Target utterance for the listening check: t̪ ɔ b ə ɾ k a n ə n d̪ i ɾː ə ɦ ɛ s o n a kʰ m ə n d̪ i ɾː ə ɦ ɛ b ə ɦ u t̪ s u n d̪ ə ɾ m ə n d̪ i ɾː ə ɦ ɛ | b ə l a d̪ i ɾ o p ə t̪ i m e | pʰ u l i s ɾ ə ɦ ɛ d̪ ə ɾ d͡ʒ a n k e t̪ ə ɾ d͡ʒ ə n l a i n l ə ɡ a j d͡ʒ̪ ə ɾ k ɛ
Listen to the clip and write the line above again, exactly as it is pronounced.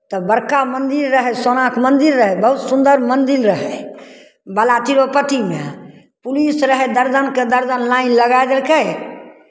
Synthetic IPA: t̪ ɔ b ə ɾ k a m ə n d̪ i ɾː ə ɦ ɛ s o n a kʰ m ə n d̪ i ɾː ə ɦ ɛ b ə ɦ u t̪ s u n d̪ ə ɾ m ə n d̪ i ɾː ə ɦ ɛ | b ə l a t̪ i ɾ o p ə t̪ i m e | p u l i s ɾ ə ɦ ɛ d̪ ə ɾ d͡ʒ ə n k e d̪ ə ɾ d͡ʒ ə n l a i n l ə ɡ a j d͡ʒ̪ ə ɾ k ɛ

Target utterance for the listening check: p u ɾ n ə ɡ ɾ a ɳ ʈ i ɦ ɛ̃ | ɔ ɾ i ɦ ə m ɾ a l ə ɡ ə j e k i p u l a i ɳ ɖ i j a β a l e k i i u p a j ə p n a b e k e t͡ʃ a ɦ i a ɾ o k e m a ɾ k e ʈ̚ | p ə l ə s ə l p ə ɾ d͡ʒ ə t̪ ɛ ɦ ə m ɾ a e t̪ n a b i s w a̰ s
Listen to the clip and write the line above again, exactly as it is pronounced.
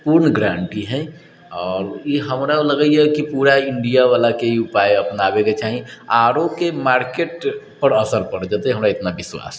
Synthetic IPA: p u ɾ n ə ɡ ɾ a ɳ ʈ i ɦ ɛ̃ | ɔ ɾ i ɦ ə m ɾ a l ə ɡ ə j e k i p u ɾ a i ɳ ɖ i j a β a l a k e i u p a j ə p n a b e k e t͡ʃ a ɦ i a ɾ o k e m a ɾ k e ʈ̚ | p ə ɾ ə s ə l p ə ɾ d͡ʒ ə t̪ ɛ ɦ ə m ɾ a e t̪ n a b i s w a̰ s

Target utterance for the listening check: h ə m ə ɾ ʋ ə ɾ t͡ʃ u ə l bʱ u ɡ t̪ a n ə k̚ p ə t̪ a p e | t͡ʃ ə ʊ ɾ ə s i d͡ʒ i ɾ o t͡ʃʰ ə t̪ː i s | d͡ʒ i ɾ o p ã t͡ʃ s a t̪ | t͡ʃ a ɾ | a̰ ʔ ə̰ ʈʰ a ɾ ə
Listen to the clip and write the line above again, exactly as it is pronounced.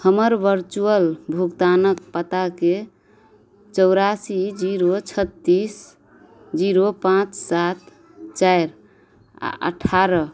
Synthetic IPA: h ə m ə ɾ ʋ ə ɾ t͡ʃ u ə l bʱ u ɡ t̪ a n ə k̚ p ə t̪ a k e | t͡ʃ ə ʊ ɾ a s i d͡ʒ i ɾ o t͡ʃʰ ə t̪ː i s | d͡ʒ i ɾ o p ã t͡ʃ s a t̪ | t͡ʃ a ɾ | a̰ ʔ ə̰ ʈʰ a ɾ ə

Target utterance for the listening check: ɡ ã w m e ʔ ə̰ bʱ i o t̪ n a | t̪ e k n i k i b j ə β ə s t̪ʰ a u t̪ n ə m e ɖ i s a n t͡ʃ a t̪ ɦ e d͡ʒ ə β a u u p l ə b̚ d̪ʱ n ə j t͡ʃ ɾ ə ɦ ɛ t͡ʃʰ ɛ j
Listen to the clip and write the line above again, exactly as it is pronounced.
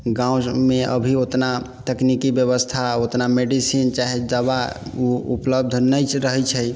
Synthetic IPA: ɡ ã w m e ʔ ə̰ bʱ i o t̪ n a | t̪ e k n i k i b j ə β ə s t̪ʰ a o t̪ n a m e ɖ i s i n t͡ʃ a ɦ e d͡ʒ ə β a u u p l ə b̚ d̪ʱ n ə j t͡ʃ ɾ ə ɦ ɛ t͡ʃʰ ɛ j

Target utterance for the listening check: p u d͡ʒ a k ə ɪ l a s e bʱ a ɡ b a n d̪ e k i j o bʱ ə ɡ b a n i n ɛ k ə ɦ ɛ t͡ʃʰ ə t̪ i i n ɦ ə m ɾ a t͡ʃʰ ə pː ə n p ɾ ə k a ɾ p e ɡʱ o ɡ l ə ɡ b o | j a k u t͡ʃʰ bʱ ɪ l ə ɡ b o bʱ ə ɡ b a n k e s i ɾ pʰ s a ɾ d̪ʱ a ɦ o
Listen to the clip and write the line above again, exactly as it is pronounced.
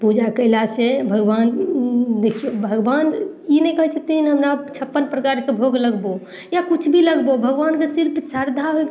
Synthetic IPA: p u d͡ʒ a k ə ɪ l a s e bʱ ə ɡ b a n d̪ e kʰ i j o bʱ ə ɡ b a n i n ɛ k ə ɦ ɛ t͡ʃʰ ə t̪ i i n ɦ ə m ɾ a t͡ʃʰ ə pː ə n p ɾ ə k a ɾ k e bʱ o ɡ l ə ɡ b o | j a k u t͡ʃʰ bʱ i l ə ɡ b o bʱ ə ɡ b a n k e s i ɾ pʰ s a ɾ d̪ʱ a ɦ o

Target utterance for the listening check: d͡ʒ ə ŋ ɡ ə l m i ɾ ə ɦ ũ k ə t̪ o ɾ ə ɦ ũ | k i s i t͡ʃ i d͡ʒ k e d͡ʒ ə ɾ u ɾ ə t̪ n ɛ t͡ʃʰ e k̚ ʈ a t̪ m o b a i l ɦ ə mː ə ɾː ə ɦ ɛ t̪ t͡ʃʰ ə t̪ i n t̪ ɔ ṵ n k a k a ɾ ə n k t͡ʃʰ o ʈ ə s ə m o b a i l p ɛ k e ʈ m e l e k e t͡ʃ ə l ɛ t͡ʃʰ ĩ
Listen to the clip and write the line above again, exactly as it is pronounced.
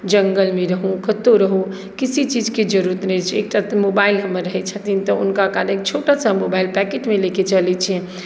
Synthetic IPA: d͡ʒ ə ŋ ɡ ə l m e ɾ ə ɦ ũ k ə t̪ o ɾ ə ɦ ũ | k i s i t͡ʃ i d͡ʒ k e d͡ʒ ə ɾ u ɾ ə t̪ n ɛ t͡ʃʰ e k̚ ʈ a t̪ m o b a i l ɦ ə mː ə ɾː ə ɦ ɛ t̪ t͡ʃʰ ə t̪ i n t̪ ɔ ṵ n k a k a ɾ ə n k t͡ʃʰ o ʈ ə s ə m o b a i l p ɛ k e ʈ m e l e k e t͡ʃ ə l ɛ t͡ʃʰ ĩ

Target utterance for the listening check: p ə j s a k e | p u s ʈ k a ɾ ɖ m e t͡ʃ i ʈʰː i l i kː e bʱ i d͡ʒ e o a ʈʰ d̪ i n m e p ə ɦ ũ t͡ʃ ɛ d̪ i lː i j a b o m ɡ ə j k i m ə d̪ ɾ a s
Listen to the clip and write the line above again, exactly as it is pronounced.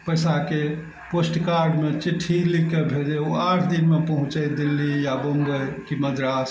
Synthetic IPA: p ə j s a k e | p o s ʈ k a ɾ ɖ m e t͡ʃ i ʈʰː i l i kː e bʱ e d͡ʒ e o a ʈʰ d̪ i n m e p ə ɦ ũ t͡ʃ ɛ d̪ i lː i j a b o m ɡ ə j k i m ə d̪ ɾ a s

